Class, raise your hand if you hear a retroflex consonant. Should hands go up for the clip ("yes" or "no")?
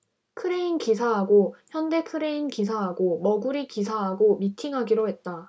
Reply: no